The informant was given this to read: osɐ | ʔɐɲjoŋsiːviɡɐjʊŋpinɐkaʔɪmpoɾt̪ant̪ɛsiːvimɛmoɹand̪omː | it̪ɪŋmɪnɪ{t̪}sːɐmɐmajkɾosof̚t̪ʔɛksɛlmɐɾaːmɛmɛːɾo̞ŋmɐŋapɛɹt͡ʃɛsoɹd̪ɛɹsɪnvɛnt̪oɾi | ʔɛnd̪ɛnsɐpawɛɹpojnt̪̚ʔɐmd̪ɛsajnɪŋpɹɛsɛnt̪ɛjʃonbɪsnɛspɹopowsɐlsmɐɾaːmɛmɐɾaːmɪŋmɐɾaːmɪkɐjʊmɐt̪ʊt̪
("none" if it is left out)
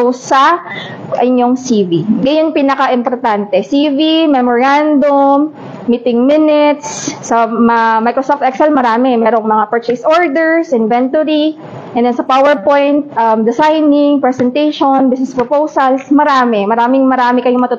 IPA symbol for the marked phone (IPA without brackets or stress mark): t̪